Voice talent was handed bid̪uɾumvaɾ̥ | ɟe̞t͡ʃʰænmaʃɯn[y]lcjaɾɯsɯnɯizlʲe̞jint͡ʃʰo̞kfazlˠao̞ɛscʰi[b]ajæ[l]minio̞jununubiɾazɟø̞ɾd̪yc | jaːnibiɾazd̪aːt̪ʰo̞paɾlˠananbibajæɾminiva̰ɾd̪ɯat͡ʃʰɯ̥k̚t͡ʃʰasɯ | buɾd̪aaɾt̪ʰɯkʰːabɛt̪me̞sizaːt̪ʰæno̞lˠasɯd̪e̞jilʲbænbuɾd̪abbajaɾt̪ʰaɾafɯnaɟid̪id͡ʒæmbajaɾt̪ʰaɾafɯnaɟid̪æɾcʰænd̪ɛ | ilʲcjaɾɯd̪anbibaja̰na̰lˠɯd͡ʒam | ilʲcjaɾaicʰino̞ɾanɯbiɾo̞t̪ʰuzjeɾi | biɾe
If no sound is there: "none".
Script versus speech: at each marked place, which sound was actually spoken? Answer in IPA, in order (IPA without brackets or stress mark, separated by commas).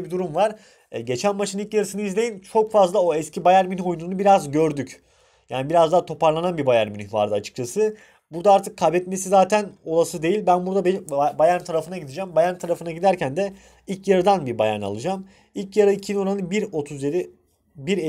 i, b, ɾ